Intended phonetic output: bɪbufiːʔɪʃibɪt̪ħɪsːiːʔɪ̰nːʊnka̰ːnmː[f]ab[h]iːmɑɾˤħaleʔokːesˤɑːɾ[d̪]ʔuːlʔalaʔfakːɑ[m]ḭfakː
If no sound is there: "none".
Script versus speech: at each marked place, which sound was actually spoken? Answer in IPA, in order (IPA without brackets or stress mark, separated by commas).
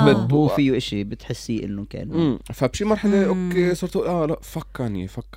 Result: f, ʃ, t̪, n